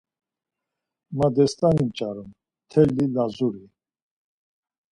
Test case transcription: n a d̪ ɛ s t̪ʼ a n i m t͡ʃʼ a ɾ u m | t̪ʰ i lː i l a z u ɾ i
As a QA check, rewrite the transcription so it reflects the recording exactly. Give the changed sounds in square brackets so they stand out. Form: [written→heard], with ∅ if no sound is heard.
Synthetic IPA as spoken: [n→m] a d̪ ɛ s t̪ʼ a n i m t͡ʃʼ a ɾ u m | t̪ʰ [i→ɛ] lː i l a z u ɾ i